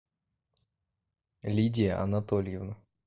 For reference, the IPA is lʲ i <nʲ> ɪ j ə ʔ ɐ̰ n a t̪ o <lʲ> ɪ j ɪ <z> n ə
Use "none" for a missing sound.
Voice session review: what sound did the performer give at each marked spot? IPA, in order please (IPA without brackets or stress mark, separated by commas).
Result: dʲ, lʲ, v